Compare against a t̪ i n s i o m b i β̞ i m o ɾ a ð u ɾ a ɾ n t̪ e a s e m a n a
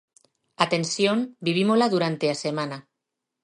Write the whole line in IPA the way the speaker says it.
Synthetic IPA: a t̪ e n s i o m b i β̞ i m o l a ð u ɾ a n t̪ e a s e m a n a